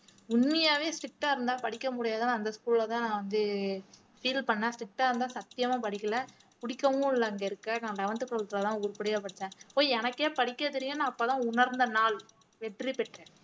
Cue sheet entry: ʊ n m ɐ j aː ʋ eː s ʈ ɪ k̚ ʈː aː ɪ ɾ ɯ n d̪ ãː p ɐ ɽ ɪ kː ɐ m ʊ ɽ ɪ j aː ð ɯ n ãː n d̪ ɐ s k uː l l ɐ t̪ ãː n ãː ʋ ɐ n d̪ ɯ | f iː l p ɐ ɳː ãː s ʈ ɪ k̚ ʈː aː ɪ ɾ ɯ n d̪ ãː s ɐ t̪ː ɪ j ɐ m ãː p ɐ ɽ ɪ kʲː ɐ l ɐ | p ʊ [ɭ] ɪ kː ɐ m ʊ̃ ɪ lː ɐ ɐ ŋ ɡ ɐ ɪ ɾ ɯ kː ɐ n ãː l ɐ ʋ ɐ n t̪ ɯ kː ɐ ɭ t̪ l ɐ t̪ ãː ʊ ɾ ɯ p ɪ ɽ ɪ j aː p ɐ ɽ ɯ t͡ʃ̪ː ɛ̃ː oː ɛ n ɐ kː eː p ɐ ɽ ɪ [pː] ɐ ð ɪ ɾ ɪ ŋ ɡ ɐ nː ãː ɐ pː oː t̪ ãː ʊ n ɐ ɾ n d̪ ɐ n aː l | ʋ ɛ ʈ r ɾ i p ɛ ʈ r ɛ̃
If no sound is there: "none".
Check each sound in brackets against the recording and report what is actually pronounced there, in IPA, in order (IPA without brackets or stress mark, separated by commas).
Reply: ɽ, kː